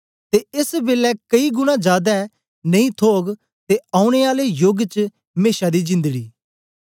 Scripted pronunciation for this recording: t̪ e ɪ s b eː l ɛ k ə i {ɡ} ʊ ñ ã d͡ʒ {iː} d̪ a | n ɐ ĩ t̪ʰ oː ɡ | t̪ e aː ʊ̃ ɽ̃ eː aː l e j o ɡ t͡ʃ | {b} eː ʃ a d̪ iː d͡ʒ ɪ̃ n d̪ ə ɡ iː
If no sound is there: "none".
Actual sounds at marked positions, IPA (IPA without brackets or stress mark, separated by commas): ɡ, aː, m